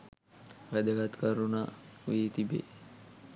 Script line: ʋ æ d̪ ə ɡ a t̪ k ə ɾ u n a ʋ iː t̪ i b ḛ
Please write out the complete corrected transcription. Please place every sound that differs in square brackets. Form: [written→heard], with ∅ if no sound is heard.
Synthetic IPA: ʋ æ d̪ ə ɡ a t̪ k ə ɾ u n a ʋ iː t̪ i b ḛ